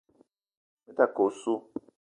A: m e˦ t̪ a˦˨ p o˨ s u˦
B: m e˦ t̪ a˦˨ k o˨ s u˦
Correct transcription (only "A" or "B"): B